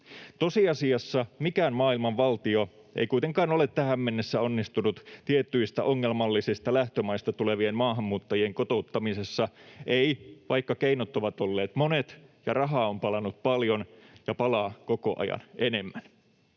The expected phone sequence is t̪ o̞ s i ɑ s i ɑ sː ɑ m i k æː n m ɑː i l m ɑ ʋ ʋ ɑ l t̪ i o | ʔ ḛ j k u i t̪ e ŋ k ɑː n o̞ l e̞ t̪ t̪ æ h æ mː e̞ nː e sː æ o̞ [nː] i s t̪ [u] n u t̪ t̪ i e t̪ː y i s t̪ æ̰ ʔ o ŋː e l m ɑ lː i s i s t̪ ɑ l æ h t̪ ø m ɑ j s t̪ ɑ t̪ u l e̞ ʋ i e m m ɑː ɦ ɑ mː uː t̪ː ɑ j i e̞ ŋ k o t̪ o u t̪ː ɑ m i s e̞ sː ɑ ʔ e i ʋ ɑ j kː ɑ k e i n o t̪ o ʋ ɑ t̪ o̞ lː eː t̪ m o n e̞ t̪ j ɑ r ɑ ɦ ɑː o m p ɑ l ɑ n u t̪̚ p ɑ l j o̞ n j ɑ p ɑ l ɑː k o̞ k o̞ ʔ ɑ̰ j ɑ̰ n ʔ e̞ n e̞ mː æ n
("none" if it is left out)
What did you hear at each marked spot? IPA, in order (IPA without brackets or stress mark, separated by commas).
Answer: nː, u